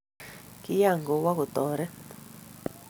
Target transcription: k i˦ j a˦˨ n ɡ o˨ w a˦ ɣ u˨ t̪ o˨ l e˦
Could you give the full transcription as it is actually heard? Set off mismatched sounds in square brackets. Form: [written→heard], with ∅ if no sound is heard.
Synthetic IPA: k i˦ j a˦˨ [n→ŋ] ɡ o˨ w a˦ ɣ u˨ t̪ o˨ [l→ɾ] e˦